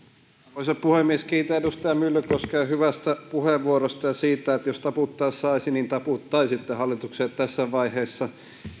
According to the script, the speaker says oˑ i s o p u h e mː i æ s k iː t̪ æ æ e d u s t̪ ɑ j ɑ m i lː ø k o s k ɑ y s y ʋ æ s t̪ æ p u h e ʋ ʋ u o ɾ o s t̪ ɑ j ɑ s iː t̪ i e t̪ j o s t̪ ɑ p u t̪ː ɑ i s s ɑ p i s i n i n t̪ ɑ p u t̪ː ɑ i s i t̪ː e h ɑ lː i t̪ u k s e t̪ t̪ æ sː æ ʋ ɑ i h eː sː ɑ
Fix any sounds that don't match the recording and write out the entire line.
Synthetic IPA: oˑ i s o p u h e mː i e s k iː t̪ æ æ e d u s t̪ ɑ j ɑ m y lː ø k o s k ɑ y h y ʋ æ s t̪ æ p u h e ʋ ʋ u o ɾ o s t̪ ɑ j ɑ s iː t̪ æ e t̪ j o s t̪ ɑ p u t̪ː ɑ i s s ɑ i s i n i n t̪ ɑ p u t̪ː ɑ i s i t̪ː e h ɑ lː i t̪ u k s e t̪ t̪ æ sː æ ʋ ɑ i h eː sː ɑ

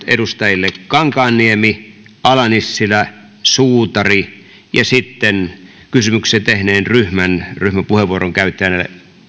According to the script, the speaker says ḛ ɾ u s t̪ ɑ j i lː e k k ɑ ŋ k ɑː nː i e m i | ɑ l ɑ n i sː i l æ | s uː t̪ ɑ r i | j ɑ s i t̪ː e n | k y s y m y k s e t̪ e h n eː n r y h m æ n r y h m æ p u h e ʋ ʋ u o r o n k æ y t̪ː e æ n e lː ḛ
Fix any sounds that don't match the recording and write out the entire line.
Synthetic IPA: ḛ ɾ u s t̪ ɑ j i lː e k k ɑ ŋ k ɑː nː i e m i | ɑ l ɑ n i sː i l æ | s uː t̪ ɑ r i | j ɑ s i t̪ː e n | k y s y m y k s e t̪ e h n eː n r y h m æ n r y h m æ p u h e ʋ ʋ u o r o ŋ k æ y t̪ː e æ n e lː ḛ

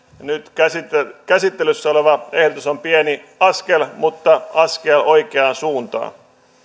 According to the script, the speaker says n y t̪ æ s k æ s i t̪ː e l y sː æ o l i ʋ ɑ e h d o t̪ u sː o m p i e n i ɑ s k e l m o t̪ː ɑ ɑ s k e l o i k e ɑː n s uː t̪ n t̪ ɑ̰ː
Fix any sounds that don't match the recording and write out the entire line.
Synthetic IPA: n y t̪ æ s k æ s i t̪ː e l y sː æ o l e ʋ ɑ e h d o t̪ u s o m p i e n i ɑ s k e l m u t̪ː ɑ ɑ s k e l o i k e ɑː n s uː n t̪ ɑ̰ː

